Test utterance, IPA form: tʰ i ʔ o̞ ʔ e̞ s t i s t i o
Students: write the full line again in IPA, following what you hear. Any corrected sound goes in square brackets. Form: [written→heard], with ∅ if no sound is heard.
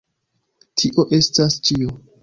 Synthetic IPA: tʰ i ʔ o̞ ʔ e̞ s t [i→a] s [t→t͡ʃ] i o